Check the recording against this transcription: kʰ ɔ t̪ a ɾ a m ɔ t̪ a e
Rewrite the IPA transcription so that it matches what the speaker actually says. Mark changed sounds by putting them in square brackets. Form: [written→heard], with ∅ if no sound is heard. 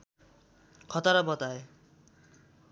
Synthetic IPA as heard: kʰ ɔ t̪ a ɾ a [m→b] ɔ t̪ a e